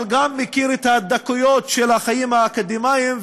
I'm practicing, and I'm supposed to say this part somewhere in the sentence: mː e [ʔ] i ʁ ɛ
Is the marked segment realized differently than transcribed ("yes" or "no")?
yes